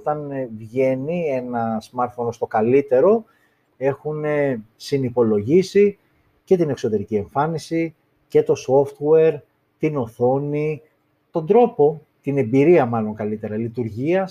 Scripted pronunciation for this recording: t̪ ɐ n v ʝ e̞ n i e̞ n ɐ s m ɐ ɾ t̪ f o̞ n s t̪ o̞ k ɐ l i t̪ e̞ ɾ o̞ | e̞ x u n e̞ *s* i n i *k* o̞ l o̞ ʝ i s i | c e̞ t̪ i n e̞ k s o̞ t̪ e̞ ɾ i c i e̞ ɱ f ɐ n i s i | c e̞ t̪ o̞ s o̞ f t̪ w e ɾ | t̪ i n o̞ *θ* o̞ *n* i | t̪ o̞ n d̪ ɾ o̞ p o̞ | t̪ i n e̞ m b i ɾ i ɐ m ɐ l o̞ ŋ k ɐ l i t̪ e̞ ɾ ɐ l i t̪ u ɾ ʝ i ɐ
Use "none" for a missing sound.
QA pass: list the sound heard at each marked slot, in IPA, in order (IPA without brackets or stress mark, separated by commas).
s, p, θ, n